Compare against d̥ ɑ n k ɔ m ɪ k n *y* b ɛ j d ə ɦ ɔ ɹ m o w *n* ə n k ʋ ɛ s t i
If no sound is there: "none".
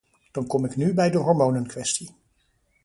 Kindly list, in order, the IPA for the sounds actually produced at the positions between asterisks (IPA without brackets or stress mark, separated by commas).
y, n